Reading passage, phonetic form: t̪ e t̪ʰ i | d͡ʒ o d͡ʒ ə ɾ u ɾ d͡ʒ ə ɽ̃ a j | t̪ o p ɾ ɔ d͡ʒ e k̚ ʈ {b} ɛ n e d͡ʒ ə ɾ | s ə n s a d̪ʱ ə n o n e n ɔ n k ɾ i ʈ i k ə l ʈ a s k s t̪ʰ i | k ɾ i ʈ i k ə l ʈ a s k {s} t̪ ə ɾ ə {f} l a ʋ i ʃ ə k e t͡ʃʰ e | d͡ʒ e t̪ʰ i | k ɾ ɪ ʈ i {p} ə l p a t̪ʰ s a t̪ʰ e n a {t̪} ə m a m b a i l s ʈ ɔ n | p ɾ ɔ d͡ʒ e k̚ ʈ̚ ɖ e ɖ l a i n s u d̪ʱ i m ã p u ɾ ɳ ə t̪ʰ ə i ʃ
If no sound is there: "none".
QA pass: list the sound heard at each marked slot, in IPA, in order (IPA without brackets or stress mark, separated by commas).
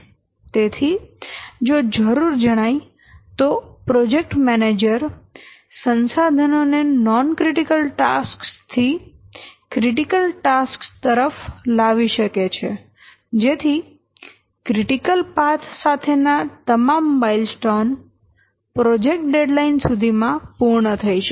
m, s, f, k, t̪